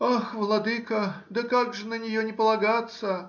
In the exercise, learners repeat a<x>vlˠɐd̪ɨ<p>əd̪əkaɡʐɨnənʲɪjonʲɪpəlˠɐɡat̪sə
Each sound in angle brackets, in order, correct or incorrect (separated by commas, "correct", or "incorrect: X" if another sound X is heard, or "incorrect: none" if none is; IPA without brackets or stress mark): correct, incorrect: k